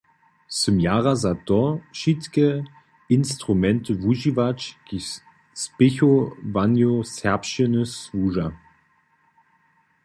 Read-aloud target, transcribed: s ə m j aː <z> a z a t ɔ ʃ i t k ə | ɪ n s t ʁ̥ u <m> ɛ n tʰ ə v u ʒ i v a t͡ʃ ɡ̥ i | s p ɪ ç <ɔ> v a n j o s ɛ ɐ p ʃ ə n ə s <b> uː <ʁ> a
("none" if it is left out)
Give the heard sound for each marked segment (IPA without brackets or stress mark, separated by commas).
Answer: ʁ, m, o, v, ʒ